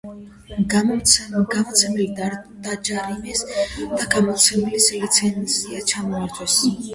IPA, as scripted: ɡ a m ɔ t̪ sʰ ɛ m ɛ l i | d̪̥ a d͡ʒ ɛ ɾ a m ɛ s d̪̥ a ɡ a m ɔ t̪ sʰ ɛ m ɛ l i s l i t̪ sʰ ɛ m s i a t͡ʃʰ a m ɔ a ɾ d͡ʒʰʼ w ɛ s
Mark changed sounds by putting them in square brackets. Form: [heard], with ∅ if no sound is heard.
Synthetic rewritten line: ɡ a m ɔ t̪ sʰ ɛ m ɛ l i | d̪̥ a d͡ʒ [a] ɾ [i] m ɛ s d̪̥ a ɡ a m ɔ t̪ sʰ ɛ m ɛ l i s l i t̪ sʰ ɛ [n] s i a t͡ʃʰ a m ɔ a ɾ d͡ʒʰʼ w ɛ s